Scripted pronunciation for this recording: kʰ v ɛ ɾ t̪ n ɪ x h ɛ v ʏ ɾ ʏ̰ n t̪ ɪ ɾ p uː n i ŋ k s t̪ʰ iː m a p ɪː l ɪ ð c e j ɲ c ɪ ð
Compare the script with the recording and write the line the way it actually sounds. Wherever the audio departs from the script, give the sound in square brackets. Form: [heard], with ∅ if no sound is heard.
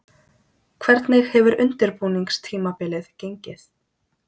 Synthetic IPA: kʰ v ɛ ɾ t̪ n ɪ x h ɛ v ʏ ɾ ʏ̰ n t̪ ɪ ɾ p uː n i ŋ k s t̪ʰ iː m a p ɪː l ɪ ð c e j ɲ c ɪ [θ]

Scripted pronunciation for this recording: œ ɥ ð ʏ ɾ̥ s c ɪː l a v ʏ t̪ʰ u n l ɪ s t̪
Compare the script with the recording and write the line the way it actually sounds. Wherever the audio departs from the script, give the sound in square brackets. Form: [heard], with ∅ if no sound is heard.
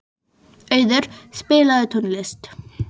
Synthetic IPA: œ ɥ ð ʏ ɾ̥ s [p] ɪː l a [ð] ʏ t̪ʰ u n l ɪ s t̪

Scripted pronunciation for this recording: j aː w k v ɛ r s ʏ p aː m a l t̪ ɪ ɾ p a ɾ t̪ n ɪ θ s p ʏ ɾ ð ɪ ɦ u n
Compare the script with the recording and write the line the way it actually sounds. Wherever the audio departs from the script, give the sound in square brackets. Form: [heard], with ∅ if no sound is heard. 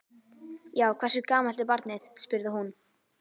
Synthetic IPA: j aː w [kʰ] v ɛ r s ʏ [k] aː m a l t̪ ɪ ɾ p a ɾ t̪ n ɪ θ s p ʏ ɾ ð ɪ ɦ u n

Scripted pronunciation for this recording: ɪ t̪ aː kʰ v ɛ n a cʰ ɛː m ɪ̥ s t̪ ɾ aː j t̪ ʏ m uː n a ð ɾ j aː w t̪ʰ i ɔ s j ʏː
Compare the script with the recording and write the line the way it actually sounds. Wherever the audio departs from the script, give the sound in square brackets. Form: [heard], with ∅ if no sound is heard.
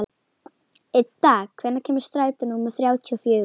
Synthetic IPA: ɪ t̪ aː kʰ v ɛ n a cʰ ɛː m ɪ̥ s t̪ ɾ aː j t̪ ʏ [n] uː [m] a [θ] ɾ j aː w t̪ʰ i ɔ [f] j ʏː

